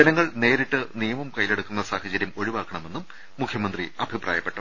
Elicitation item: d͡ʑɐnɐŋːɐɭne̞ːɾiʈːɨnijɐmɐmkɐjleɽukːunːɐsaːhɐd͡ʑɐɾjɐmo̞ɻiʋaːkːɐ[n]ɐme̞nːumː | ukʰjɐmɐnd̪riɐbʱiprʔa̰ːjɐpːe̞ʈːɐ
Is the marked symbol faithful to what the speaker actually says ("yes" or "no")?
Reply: no